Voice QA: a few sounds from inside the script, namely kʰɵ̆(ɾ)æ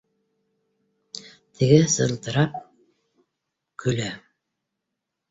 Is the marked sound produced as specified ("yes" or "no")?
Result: no